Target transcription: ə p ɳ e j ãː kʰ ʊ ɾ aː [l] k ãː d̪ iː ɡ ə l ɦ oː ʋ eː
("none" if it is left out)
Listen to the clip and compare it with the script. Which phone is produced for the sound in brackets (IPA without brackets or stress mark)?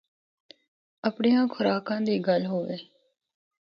none